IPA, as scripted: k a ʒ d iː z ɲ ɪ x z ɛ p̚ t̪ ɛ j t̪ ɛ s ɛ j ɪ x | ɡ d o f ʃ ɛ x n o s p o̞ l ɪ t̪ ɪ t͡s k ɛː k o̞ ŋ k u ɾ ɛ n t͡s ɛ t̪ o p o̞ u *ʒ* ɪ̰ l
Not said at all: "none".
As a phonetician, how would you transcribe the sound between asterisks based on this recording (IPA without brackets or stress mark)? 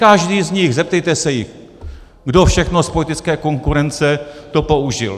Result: ʒ